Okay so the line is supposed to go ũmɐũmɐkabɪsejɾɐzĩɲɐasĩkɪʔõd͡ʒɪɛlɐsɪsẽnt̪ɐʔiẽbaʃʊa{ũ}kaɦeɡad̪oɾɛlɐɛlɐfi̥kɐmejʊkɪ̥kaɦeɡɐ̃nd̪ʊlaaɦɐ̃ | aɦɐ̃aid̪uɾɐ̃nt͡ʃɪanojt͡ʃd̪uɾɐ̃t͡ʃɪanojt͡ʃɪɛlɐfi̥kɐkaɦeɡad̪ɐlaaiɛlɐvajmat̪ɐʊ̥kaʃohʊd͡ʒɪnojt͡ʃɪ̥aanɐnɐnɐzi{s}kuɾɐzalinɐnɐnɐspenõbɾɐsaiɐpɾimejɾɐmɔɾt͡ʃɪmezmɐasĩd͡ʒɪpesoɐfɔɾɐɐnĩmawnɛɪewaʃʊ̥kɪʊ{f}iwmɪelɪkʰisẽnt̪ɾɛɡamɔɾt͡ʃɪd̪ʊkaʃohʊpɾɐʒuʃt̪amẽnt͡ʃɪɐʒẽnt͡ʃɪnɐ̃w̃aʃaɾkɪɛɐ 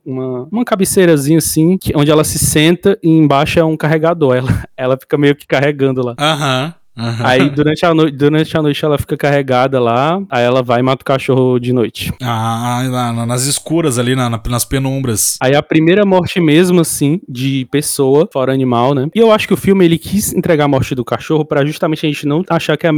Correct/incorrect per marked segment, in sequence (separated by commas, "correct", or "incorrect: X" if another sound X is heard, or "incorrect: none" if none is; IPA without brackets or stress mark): correct, correct, correct